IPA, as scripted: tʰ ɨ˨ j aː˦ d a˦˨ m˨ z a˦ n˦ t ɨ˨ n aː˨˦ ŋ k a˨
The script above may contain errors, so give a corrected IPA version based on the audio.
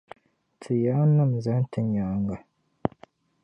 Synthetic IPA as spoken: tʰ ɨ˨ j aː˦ n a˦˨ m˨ z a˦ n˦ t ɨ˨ ɲ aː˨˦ ŋ ɡ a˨